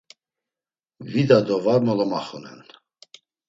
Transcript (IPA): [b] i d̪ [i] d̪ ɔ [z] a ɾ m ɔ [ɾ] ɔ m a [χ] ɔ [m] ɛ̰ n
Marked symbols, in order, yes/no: no, no, no, no, yes, no

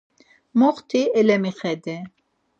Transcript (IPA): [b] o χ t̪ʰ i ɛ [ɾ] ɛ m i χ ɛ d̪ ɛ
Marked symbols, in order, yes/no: no, no

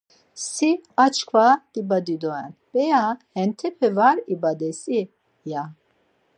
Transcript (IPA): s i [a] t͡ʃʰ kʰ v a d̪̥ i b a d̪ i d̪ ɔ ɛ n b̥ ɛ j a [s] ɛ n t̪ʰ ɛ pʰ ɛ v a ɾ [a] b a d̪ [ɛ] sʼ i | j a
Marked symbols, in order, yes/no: yes, no, no, yes

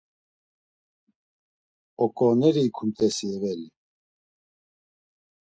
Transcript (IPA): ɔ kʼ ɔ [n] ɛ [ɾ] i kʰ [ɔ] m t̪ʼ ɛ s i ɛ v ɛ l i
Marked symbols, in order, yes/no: yes, yes, no

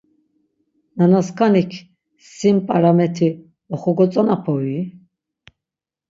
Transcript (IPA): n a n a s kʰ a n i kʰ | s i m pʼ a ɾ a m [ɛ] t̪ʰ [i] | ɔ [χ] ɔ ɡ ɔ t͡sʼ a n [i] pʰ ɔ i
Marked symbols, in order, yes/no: yes, yes, yes, no

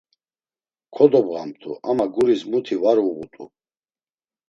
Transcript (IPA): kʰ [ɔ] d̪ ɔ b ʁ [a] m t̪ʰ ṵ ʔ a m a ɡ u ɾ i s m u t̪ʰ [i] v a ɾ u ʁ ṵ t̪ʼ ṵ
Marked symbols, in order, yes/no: yes, yes, yes

